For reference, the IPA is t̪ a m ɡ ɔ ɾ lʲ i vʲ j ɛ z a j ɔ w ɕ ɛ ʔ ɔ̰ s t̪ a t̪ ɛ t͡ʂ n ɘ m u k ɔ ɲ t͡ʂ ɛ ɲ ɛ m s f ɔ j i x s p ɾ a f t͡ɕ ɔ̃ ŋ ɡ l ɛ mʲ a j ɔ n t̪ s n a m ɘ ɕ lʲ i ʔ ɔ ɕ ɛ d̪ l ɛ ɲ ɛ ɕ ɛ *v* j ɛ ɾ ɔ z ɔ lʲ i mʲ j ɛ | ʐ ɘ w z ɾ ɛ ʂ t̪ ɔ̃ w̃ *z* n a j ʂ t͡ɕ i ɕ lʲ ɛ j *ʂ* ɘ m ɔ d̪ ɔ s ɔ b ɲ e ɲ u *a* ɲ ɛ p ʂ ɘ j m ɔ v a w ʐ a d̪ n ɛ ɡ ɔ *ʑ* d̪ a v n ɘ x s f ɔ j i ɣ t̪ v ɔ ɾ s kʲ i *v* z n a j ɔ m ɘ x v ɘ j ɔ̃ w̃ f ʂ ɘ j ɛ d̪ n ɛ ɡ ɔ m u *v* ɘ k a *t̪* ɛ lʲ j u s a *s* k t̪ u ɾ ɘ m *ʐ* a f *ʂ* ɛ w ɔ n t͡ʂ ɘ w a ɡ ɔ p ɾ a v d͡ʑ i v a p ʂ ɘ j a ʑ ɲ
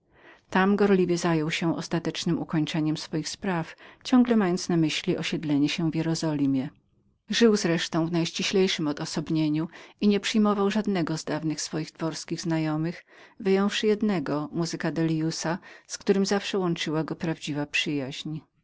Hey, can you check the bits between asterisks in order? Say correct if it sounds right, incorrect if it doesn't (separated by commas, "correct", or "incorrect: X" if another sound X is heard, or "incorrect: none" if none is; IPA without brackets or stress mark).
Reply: correct, incorrect: v, correct, incorrect: i, incorrect: z, incorrect: ɣ, incorrect: z, incorrect: d̪, correct, incorrect: z, correct